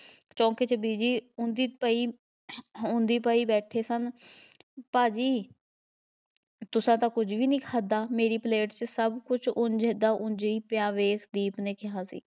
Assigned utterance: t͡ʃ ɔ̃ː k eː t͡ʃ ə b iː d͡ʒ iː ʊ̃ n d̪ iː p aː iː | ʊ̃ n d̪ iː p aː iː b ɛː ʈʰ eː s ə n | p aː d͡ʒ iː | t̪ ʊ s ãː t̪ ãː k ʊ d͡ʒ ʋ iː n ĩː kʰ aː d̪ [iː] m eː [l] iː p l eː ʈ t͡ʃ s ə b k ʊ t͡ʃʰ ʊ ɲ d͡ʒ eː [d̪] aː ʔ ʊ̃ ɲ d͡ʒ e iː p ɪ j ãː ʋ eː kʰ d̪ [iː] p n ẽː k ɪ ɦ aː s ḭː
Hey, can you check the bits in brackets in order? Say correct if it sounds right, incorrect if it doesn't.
incorrect: aː, incorrect: ɾ, correct, correct

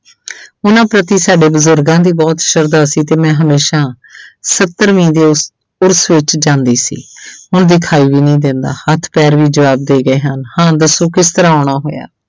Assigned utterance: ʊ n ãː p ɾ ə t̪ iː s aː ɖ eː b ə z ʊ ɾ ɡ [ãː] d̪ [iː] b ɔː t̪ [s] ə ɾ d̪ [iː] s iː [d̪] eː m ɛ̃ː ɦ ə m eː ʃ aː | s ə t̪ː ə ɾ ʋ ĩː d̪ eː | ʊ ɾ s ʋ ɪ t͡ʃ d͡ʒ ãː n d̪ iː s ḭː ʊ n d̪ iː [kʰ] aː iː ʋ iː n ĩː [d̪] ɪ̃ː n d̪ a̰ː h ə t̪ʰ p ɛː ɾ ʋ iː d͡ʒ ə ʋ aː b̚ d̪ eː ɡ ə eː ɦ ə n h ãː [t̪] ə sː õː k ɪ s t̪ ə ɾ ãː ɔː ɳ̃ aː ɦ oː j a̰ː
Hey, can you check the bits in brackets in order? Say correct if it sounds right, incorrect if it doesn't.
correct, correct, incorrect: ʃ, incorrect: aː, incorrect: t̪, correct, correct, incorrect: d̪

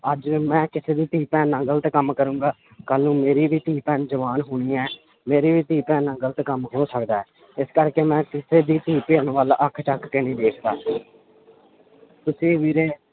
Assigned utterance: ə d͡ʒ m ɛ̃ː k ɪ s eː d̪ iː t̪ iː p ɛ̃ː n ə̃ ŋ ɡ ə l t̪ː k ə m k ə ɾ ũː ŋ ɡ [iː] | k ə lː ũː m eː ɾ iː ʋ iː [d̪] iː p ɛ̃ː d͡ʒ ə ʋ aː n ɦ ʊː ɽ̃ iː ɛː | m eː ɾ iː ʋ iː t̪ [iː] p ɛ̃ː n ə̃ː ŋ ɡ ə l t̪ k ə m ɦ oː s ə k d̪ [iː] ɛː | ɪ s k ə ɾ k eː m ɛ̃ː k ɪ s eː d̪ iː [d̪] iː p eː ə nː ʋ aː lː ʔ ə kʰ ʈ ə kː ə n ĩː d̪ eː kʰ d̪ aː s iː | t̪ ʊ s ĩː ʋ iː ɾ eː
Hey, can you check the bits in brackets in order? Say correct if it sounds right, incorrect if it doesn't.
incorrect: aː, incorrect: t̪, correct, incorrect: aː, incorrect: t̪

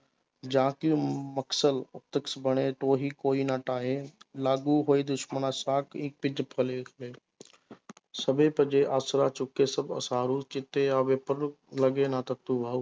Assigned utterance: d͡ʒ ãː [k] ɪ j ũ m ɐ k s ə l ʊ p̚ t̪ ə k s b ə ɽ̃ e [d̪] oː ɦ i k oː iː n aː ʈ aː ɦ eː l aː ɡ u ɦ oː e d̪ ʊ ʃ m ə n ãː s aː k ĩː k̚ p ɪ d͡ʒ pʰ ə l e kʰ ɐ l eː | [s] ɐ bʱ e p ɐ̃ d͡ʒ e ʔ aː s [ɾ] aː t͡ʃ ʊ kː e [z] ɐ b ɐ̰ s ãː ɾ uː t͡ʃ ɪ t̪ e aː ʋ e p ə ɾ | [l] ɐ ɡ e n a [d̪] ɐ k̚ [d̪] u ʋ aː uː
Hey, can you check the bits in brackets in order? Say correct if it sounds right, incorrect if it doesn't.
correct, incorrect: t̪, correct, correct, incorrect: s, correct, incorrect: t̪, incorrect: t̪

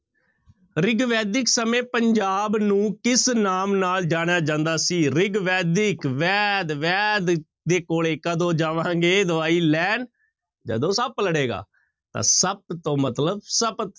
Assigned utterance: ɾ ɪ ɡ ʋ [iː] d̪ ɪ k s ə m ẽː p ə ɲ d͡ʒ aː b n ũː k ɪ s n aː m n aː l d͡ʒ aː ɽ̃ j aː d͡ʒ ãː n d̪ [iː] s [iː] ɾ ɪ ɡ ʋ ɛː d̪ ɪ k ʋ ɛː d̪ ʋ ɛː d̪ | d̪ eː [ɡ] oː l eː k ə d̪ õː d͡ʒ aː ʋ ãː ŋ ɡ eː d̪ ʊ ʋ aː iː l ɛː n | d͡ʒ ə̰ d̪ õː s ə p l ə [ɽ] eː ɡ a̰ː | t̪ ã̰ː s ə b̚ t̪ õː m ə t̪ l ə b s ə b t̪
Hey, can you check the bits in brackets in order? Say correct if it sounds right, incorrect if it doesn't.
incorrect: ɛː, incorrect: aː, correct, incorrect: k, correct

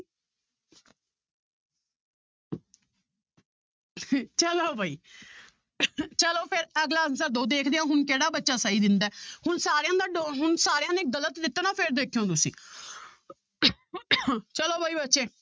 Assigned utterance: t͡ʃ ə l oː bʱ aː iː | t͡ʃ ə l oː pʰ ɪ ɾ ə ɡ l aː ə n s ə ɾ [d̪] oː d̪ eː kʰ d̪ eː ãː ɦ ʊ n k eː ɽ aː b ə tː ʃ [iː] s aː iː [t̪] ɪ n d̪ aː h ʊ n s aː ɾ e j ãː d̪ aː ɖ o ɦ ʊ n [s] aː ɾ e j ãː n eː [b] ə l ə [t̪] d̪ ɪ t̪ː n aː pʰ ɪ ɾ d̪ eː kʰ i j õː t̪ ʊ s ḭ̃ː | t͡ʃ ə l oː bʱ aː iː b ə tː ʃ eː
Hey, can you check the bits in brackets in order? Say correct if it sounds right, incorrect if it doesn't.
correct, incorrect: aː, incorrect: d̪, correct, incorrect: ɡ, correct

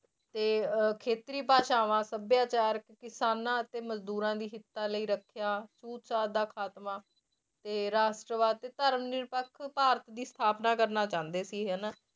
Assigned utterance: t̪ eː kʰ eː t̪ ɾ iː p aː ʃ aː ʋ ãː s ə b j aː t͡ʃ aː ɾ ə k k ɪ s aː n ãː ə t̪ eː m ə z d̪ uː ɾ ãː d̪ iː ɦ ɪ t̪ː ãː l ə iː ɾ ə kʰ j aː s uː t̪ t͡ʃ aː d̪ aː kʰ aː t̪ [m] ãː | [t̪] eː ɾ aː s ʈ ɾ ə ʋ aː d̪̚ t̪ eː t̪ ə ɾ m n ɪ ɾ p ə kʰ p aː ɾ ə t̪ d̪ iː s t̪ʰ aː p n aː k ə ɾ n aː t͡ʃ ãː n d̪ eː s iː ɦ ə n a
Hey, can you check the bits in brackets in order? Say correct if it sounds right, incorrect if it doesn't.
correct, correct

